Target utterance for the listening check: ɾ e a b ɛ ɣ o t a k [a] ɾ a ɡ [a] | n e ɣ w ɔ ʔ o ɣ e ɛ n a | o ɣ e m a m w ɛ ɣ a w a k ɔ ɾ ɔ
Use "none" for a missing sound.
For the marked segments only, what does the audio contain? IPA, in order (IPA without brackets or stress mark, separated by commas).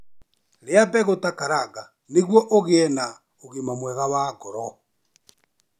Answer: a, a